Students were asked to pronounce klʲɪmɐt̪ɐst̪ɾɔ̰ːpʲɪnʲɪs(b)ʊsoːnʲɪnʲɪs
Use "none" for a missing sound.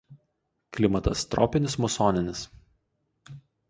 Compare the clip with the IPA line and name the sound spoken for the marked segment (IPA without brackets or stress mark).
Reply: m